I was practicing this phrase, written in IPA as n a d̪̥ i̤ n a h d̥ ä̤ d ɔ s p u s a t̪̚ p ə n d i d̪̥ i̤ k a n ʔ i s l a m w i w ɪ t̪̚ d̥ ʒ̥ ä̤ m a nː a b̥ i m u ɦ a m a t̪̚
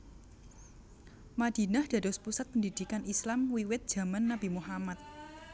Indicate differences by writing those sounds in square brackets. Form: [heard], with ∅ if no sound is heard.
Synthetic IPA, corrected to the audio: [m] a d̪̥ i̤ n a h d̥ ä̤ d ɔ s p u s a t̪̚ p ə n d i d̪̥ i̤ k a n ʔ i s l a m w i w ɪ t̪̚ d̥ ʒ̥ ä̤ m a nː a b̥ i m u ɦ a m a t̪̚